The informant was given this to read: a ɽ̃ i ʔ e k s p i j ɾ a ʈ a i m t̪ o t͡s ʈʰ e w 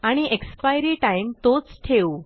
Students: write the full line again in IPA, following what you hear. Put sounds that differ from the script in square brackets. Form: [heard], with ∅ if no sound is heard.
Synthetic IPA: a ɽ̃ i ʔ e k s p [a] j ɾ [i] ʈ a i m t̪ o t͡s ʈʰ e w